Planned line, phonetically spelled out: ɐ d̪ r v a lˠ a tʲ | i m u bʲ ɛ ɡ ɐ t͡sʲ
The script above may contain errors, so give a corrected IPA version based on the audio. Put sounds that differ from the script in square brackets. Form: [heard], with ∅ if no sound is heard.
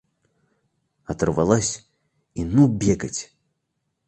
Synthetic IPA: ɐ [t̪] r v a lˠ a [sʲ] | i [n] u bʲ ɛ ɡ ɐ t͡sʲ